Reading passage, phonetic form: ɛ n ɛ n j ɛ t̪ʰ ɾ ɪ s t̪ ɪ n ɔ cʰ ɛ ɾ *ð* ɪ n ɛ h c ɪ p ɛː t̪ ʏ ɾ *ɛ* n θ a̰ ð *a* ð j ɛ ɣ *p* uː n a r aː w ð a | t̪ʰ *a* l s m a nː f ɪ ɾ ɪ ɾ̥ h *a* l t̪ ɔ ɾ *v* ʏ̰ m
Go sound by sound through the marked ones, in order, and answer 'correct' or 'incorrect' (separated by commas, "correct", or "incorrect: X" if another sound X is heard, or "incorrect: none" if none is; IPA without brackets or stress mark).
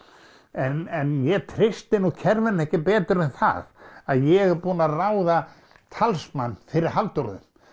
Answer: incorrect: v, correct, correct, correct, correct, correct, incorrect: ð